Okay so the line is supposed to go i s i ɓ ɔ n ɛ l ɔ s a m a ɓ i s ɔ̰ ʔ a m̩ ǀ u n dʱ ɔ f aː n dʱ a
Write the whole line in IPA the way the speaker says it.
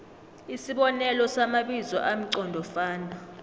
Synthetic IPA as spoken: i s i ɓ ɔ n ɛ l ɔ s a m a ɓ i z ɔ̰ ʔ a m̩ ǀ ɔ n dʱ ɔ f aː n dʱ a

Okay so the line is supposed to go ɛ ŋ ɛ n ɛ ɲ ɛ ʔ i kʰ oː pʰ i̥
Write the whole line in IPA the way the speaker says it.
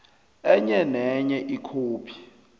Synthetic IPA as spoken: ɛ ɲ ɛ n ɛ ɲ ɛ ʔ i kʰ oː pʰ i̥

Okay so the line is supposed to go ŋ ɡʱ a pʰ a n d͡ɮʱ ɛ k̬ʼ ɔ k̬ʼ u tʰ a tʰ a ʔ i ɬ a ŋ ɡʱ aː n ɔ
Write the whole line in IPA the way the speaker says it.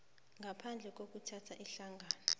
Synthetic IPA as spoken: ŋ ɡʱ a pʰ a n d͡ɮʱ ɛ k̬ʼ o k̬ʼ u tʰ a tʰ a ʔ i ɬ a ŋ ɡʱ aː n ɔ

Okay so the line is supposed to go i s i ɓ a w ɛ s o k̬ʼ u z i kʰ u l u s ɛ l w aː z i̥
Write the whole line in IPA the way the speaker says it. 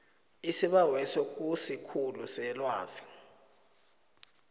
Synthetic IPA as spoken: i s i ɓ a w ɛ s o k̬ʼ u s i kʰ u l u s ɛ l w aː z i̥

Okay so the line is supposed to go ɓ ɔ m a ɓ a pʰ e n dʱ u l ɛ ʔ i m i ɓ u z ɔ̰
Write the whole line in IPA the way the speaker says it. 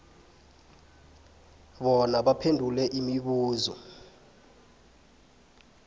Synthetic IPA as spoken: ɓ ɔ n a ɓ a pʰ e n dʱ u l ɛ ʔ i m i ɓ uː z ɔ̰

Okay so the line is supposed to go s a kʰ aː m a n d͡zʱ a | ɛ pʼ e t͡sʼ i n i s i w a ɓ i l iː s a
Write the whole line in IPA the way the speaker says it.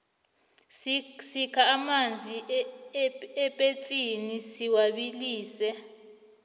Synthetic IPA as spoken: s i kʰ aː m a n d͡zʱ i | ɛ pʼ e t͡sʼ i n i s i w a ɓ i l iː s ɛ

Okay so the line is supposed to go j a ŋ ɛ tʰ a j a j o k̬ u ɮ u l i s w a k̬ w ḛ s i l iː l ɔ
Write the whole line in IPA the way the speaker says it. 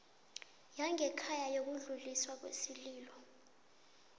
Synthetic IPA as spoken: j a ŋ ɛ kʰ a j a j o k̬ u ɮ u l i s w a k̬ w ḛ s i l iː l ɔ

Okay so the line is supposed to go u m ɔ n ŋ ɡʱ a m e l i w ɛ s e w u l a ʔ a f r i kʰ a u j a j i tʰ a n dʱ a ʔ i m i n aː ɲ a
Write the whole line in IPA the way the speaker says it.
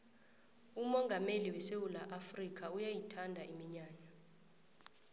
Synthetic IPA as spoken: u m ɔ ŋ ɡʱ a m e l i w ɛ s e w u l a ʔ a f r i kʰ a u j a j i tʰ a n dʱ a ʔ i m i ɲ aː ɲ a

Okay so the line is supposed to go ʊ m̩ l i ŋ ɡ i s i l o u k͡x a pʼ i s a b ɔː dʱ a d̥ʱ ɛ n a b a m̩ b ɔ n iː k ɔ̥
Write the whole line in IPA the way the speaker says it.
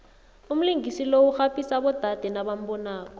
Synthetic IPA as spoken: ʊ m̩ l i ŋ ɡ i s i l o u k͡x a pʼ i s a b ɔ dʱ a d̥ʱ ɛ n a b a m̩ b ɔ n aː k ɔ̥

